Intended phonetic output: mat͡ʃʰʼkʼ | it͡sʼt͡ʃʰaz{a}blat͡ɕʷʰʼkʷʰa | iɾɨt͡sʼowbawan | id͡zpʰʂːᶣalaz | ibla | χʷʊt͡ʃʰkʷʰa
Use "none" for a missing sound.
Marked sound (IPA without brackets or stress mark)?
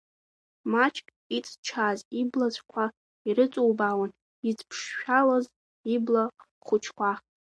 i